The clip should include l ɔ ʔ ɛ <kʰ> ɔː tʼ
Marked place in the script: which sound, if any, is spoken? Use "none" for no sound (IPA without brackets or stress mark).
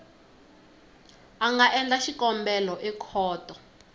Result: kʰ